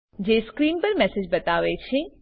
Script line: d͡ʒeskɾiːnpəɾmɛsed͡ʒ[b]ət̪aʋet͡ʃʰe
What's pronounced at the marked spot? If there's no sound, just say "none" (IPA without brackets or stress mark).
b